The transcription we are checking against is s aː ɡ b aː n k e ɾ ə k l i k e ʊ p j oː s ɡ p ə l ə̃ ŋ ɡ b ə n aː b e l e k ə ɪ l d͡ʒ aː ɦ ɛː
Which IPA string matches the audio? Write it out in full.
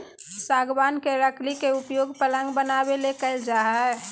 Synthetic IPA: s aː ɡ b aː n k e ɾ ə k l i k e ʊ p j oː ɡ p ə l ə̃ ŋ ɡ b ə n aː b e l e k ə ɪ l d͡ʒ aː ɦ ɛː

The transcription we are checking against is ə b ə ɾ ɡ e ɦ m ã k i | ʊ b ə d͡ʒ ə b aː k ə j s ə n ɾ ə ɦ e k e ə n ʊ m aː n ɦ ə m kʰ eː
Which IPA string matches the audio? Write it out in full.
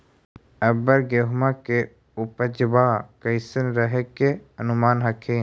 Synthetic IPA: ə b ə ɾ ɡ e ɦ m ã k e | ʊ p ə d͡ʒ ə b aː k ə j s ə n ɾ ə ɦ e k e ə n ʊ m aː n ɦ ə kʰ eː

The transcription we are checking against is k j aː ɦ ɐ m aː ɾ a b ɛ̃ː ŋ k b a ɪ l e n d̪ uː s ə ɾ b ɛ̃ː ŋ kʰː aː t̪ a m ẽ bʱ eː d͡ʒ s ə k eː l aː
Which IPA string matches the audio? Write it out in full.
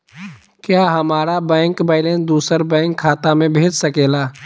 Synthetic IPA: k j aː ɦ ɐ m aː ɾ a b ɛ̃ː ŋ k b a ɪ l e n d̪ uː s ə ɾ b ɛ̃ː ŋ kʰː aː t̪ a m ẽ bʱ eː d͡ʒ s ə k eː l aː

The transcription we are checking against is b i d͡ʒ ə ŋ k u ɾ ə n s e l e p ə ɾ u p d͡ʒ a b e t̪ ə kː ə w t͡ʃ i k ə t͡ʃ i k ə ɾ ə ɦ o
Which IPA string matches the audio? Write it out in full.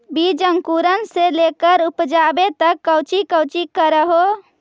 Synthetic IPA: b i d͡ʒ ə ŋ k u ɾ ə n s e l e k ə ɾ u p d͡ʒ a b e t̪ ə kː ə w t͡ʃ i k ə t͡ʃ i k ə ɾ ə ɦ o

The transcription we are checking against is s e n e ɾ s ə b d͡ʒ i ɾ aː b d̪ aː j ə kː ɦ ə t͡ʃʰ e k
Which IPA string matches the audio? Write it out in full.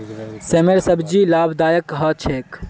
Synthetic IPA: s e m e ɾ s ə b d͡ʒ i l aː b d̪ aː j ə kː ɦ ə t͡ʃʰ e k

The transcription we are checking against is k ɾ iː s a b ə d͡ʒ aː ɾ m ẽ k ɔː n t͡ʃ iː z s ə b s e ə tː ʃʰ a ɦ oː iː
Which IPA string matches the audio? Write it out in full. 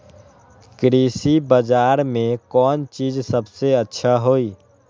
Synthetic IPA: k ɾ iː s i b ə d͡ʒ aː ɾ m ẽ k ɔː n t͡ʃ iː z s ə b s e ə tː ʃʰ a ɦ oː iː

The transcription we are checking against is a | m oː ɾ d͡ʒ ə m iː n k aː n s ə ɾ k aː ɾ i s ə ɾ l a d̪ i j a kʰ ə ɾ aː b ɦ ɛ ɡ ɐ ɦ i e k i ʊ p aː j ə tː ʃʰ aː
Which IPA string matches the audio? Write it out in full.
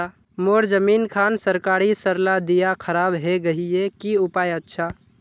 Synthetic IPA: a | m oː ɾ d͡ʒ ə m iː n kʰ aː n s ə ɾ k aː ɾ i s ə ɾ l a d̪ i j a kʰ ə ɾ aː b ɦ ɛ ɡ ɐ ɦ i e k i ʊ p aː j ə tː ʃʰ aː

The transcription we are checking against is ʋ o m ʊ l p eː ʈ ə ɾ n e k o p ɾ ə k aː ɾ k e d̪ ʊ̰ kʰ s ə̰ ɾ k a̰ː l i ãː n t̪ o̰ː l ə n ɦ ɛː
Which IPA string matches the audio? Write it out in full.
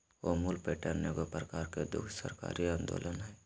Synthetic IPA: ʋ o m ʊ l p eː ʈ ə ɾ n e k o p ɾ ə k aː ɾ k e d̪ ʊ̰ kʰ s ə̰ ɾ k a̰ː ɾ i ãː n d̪ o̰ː l ə n ɦ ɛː

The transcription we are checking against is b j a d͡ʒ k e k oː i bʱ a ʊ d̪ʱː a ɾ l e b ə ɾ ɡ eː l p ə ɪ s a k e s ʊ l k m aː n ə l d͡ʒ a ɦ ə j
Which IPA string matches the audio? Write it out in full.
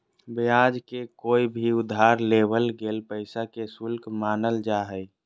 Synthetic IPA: b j a d͡ʒ k e k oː i bʱ i ʊ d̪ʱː a ɾ l e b ə l ɡ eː l p ə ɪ s a k e s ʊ l k m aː n ə l d͡ʒ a ɦ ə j

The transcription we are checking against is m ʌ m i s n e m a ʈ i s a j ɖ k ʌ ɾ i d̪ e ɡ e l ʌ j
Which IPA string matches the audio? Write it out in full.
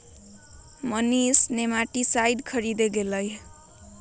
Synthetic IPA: m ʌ n i s n e m a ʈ i s a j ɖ kʰ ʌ ɾ i d̪ e ɡ e l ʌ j

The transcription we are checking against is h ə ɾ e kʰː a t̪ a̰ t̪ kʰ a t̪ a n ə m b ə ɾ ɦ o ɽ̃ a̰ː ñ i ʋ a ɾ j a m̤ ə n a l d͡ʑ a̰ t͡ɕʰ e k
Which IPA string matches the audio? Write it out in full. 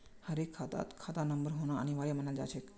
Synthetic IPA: h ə ɾ e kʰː a t̪ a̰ t̪ kʰ a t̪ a n ə m b ə ɾ ɦ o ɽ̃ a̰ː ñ i ʋ a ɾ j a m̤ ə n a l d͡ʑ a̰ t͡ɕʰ e k

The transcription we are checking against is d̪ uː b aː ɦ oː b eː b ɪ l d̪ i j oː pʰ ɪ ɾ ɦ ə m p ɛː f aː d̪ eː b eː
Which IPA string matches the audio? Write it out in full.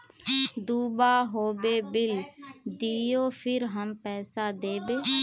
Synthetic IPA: d̪ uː b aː ɦ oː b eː b ɪ l d̪ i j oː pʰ ɪ ɾ ɦ ə m p ɛː s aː d̪ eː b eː

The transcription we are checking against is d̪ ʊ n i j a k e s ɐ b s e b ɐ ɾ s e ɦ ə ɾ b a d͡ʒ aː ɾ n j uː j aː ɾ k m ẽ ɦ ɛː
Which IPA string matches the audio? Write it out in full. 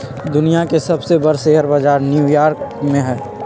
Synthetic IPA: d̪ ʊ n i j a k e s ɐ b s e b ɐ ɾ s e ɦ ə ɾ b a d͡ʒ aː ɾ n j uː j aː ɾ k m ẽ ɦ ɛː

